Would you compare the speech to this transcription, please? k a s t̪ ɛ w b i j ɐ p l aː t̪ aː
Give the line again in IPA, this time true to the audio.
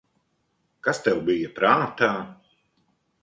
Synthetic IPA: k a s t̪ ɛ w b i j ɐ p ɾ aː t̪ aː